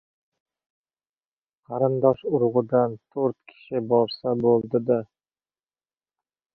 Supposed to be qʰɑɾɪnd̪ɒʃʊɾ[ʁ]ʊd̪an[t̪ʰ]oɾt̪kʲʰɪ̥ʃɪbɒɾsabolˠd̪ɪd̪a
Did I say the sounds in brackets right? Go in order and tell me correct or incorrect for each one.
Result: correct, correct

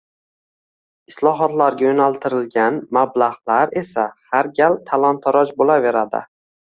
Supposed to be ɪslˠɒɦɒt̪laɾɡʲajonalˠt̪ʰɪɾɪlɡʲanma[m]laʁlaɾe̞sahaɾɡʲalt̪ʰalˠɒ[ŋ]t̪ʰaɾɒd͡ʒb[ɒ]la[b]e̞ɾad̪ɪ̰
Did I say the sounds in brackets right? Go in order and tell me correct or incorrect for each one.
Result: incorrect: b, incorrect: n, incorrect: o, incorrect: v

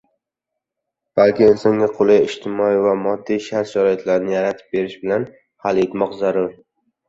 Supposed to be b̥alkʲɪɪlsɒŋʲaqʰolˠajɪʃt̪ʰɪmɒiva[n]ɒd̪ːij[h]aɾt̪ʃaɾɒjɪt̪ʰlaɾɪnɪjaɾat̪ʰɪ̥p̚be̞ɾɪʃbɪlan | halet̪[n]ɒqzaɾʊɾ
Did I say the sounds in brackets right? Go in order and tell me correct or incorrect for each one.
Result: incorrect: m, incorrect: ʃ, incorrect: m

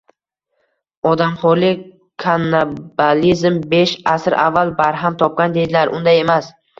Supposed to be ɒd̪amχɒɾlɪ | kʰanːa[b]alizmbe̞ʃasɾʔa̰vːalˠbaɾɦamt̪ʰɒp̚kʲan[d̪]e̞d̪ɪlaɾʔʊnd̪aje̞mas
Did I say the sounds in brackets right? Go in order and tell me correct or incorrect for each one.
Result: correct, correct

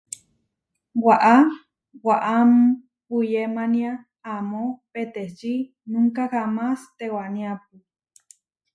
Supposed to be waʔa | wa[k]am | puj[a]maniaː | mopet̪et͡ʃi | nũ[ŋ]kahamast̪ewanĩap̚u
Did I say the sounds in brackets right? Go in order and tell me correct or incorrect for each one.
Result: incorrect: ʔ, incorrect: e, correct

